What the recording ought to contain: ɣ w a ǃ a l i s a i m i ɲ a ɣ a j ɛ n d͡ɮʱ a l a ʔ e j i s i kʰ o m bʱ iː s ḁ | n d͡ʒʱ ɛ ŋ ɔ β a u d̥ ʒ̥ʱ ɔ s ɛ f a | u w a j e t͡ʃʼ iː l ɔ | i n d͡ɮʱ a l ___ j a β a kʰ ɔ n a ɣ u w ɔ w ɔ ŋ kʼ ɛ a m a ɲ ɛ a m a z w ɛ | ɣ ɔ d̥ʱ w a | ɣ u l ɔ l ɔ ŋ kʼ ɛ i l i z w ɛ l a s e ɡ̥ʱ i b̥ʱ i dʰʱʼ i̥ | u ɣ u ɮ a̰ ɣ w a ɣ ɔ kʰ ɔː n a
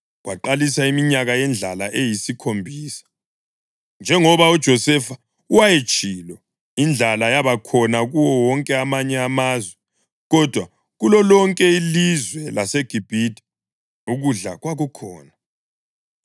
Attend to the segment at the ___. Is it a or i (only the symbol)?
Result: a